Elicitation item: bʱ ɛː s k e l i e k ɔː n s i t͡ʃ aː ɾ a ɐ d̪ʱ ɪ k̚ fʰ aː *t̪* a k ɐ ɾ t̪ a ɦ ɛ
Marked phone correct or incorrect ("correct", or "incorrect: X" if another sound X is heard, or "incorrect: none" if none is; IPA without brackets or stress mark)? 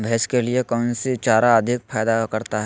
incorrect: d̪